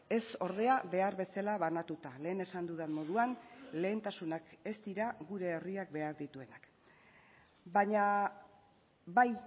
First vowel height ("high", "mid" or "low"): mid